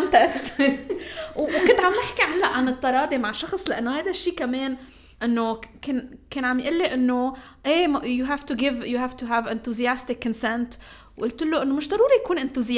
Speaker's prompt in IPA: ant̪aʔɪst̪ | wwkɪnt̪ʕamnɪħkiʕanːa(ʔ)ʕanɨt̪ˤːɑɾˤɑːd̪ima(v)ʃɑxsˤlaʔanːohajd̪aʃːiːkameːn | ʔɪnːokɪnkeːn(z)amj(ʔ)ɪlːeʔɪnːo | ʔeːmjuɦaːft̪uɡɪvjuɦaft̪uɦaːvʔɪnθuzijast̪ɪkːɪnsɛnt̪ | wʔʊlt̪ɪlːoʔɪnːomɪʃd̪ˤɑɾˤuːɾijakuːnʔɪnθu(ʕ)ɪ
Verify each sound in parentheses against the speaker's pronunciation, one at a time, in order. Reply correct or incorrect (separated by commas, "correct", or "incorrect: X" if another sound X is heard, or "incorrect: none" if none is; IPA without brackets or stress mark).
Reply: correct, incorrect: ʕ, incorrect: ʕ, correct, incorrect: z